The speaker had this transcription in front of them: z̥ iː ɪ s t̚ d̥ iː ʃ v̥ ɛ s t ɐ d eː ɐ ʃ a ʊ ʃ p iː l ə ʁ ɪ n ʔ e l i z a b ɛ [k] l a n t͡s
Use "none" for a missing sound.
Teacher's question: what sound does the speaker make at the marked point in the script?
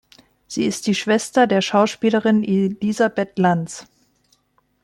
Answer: t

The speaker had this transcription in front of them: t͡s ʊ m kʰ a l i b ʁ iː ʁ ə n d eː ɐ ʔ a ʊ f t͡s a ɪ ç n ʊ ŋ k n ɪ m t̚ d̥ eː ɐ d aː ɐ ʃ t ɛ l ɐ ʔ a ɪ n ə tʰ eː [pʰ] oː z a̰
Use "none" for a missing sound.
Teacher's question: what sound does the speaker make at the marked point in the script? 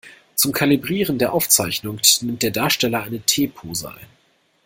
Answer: pʰ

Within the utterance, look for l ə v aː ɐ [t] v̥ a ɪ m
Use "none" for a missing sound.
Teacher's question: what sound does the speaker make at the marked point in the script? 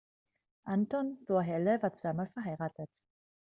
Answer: t͡s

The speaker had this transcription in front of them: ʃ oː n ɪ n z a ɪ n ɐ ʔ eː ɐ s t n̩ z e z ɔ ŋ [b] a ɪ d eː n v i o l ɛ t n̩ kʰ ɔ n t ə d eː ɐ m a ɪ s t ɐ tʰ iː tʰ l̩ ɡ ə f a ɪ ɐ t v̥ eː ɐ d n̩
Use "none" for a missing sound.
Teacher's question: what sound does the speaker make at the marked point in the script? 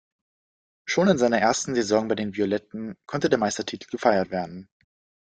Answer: b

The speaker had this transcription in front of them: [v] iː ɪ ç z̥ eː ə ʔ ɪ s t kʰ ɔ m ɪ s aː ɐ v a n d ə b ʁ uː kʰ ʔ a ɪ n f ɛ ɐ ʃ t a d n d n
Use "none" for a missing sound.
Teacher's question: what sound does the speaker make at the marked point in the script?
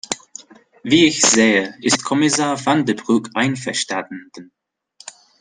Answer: v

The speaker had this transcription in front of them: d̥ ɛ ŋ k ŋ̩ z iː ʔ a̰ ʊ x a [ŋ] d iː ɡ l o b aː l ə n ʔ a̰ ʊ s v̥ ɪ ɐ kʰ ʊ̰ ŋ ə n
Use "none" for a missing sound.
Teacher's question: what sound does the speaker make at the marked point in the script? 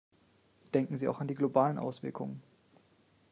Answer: n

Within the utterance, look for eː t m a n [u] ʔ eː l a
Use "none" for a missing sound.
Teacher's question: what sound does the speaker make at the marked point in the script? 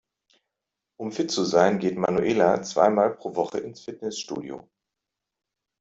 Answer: u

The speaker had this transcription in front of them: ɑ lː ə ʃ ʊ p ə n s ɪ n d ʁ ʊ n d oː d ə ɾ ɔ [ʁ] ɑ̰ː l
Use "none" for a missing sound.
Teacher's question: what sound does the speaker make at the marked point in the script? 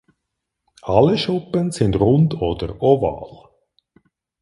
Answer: v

